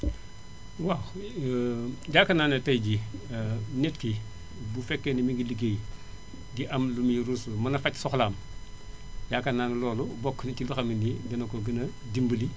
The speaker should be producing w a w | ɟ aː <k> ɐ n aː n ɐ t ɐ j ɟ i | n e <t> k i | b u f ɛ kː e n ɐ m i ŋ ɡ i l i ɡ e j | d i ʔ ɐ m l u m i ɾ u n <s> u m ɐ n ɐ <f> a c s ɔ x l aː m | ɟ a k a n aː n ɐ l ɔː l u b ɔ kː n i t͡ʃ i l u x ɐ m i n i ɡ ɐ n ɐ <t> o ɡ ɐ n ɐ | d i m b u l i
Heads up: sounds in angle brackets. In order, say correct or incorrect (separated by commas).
correct, correct, correct, correct, incorrect